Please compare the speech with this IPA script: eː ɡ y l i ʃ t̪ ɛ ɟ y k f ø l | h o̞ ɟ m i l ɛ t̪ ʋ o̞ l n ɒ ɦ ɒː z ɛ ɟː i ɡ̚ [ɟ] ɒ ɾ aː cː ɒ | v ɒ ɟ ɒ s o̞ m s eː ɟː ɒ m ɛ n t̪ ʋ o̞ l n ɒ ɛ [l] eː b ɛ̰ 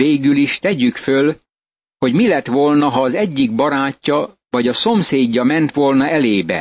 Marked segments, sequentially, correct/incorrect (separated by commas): incorrect, correct